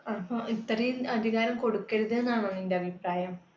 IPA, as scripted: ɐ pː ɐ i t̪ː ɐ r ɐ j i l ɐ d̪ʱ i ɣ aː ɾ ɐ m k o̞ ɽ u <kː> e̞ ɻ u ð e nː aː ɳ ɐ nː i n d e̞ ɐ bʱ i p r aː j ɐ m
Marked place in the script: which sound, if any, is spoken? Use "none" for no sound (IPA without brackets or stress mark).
kː